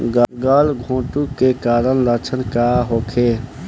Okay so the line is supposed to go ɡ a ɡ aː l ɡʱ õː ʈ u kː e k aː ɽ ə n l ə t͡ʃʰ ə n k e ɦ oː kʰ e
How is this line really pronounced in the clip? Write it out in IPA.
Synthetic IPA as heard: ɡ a ɡ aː l ɡʱ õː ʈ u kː e k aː ɾ ə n l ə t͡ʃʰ ə n k a ɦ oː kʰ e